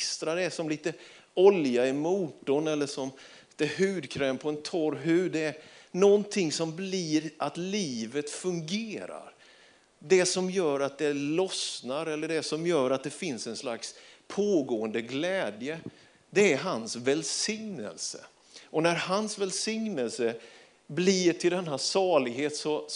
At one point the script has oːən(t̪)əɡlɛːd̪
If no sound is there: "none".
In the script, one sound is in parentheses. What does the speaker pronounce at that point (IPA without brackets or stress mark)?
d̪